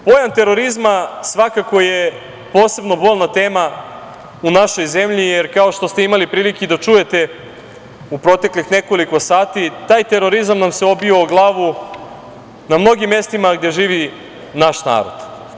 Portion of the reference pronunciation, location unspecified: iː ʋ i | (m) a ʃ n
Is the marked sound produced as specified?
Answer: no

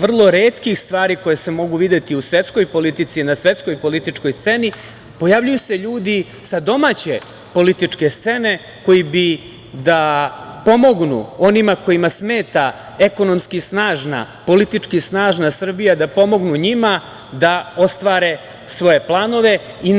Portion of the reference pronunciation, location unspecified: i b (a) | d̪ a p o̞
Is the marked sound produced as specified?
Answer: no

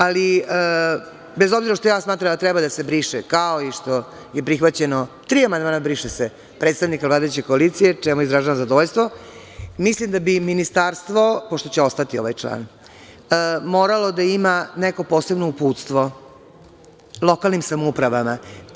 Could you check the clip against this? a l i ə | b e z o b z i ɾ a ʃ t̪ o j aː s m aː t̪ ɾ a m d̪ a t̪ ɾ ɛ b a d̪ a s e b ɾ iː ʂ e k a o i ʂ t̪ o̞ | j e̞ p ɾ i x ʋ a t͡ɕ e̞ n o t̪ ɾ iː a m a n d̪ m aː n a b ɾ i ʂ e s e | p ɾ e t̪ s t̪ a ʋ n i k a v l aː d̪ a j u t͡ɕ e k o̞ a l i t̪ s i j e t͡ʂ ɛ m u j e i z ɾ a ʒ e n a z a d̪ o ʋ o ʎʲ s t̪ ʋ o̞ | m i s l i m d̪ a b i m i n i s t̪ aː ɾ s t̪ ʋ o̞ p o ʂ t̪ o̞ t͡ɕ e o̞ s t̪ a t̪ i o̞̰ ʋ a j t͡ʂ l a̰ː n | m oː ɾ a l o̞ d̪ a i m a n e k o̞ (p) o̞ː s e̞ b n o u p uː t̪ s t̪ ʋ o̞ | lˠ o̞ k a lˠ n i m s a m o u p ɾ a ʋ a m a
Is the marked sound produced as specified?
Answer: yes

